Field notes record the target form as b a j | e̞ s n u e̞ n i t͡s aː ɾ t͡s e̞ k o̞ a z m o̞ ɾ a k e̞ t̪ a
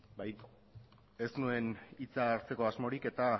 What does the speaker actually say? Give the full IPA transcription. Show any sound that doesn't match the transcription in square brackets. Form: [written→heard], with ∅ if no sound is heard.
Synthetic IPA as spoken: b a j | e̞ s n u e̞ n i t͡s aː ɾ t͡s e̞ k o̞ a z m o̞ ɾ [a→i] k e̞ t̪ a